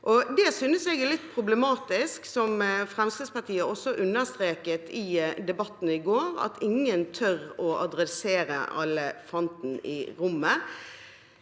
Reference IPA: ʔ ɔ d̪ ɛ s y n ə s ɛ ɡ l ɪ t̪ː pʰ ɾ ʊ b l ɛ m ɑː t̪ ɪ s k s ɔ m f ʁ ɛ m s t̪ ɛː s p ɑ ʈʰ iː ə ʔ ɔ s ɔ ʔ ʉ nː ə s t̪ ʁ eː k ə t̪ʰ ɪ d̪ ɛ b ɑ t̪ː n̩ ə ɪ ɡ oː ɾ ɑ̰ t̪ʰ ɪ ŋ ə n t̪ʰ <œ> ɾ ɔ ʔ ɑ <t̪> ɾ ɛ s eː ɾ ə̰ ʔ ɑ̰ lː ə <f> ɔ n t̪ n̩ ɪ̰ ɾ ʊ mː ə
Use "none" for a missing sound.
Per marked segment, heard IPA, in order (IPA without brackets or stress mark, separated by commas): œ, d̪, f